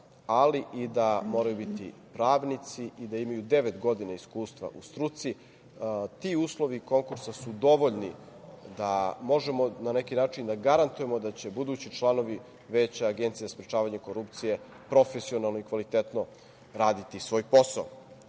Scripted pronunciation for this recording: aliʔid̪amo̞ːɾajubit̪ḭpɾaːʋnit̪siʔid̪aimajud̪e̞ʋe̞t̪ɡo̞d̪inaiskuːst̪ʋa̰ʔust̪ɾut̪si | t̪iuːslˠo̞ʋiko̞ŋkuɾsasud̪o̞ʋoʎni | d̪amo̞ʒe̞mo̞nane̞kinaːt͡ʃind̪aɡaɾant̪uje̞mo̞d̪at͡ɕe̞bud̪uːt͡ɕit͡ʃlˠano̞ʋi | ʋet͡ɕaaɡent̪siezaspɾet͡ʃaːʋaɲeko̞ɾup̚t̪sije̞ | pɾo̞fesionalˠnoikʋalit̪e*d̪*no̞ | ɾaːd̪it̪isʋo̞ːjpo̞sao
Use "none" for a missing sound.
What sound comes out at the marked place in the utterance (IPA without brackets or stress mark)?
t̪